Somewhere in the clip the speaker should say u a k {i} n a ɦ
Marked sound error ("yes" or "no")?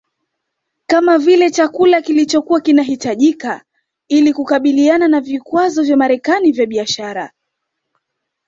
no